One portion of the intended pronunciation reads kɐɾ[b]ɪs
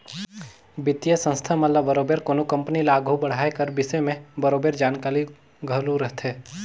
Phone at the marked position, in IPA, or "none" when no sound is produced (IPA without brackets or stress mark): b